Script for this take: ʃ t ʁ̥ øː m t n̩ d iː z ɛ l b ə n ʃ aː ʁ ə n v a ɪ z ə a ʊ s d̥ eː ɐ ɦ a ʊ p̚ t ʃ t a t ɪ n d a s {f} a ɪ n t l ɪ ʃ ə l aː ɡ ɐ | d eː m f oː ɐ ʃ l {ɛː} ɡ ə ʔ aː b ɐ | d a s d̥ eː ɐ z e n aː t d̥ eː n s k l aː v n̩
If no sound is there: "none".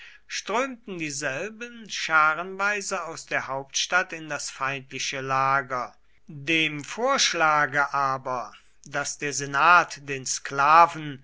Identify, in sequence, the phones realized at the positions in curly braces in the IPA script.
f, aː

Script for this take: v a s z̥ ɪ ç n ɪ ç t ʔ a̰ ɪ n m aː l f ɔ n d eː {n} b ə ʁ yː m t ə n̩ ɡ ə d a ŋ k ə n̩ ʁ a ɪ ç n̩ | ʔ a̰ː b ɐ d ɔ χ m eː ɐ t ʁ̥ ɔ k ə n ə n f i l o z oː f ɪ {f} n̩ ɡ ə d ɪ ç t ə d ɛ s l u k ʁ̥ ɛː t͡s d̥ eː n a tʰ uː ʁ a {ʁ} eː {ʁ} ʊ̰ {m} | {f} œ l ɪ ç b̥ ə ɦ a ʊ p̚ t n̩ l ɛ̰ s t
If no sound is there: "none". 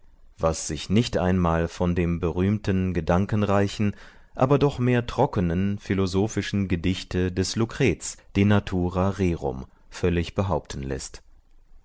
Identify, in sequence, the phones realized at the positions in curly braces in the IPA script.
m, ʃ, ʁ, ʁ, m, f

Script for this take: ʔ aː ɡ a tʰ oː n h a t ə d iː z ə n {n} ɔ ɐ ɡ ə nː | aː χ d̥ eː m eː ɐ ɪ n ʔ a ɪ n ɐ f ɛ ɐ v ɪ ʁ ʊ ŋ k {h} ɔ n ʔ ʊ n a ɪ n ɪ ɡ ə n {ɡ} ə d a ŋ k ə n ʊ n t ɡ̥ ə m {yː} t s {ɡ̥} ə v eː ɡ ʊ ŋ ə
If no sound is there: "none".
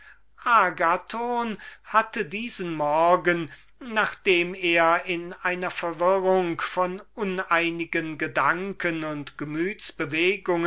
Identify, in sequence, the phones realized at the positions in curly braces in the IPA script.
m, f, ɡ, yː, b̥

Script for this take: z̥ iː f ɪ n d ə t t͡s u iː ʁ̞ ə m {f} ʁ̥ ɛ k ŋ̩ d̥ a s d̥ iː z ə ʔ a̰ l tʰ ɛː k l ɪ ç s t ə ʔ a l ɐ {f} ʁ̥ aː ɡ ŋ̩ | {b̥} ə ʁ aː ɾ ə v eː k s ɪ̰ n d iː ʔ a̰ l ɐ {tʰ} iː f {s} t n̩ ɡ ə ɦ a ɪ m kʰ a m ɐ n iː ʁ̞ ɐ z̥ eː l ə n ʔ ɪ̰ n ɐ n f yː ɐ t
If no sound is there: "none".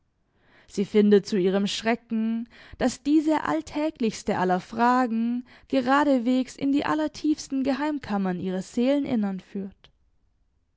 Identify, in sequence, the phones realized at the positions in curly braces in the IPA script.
ʃ, f, ɡ̥, tʰ, s

